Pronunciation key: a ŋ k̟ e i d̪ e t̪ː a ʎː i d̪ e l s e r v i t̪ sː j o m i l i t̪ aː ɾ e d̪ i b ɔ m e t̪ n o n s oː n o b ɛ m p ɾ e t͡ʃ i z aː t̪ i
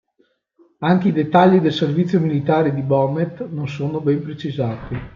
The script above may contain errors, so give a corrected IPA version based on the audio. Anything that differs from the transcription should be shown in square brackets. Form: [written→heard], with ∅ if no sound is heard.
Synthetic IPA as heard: a ŋ k̟ e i d̪ e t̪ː a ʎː i d̪ e l s e r v i t̪ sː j o m i l i t̪ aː ɾ e d̪ i b ɔ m e t̪ n o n s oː n o b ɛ m p ɾ e t͡ʃ i z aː t̪ i